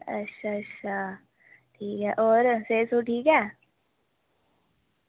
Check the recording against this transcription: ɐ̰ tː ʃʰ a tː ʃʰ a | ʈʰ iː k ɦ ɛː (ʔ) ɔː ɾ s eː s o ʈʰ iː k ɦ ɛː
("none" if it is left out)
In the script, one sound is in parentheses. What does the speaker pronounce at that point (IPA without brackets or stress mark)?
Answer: ʔ